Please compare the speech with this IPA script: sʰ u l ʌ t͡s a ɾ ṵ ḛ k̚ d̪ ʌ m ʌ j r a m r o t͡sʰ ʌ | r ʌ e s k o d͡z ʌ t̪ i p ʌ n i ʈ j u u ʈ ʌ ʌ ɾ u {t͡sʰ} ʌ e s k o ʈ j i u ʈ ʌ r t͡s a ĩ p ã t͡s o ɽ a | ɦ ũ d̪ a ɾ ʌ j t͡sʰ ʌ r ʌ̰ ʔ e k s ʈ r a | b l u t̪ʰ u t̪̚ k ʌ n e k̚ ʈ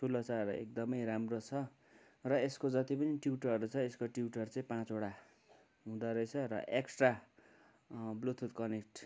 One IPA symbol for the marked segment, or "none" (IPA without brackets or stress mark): t͡sʰ